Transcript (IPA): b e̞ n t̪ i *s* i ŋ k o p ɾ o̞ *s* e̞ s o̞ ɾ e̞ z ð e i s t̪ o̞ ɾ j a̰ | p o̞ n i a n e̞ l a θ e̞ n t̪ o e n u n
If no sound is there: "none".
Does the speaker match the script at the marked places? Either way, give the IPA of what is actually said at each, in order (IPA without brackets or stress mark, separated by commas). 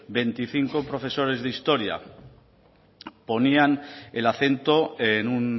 θ, f